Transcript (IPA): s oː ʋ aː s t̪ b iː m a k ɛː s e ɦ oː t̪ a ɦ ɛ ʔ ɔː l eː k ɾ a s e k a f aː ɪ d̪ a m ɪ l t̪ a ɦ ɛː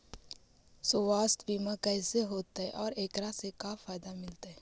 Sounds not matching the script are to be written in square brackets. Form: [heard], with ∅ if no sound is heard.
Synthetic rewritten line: s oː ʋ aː s t̪ b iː m a k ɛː s e ɦ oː t̪ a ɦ ɛ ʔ ɔː [ɾ] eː k ɾ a s e k a f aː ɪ d̪ a m ɪ l t̪ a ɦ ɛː

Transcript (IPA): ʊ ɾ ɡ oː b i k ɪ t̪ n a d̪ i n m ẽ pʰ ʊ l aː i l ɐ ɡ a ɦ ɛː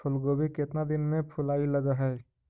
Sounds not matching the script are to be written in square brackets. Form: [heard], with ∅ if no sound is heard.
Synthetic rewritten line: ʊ [l] ɡ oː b i k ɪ t̪ n a d̪ [ɪ] n m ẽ pʰ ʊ l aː i l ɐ ɡ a ɦ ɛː

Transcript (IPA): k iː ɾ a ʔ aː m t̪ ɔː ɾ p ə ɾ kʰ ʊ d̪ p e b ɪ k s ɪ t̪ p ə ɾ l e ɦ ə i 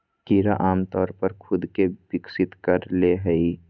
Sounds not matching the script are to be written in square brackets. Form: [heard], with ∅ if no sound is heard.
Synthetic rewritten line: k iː ɾ a ʔ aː m t̪ ɔː ɾ p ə ɾ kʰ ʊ d̪ [k] e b ɪ k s ɪ t̪ [k] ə ɾ l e ɦ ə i

